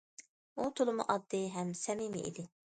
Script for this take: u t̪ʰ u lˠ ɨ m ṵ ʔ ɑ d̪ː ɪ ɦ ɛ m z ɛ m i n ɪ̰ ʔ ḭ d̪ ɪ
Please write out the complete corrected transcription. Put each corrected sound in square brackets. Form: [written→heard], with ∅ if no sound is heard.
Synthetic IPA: u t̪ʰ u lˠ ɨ m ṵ ʔ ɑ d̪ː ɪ ɦ ɛ m [z→s] ɛ m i [n→m] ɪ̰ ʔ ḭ d̪ ɪ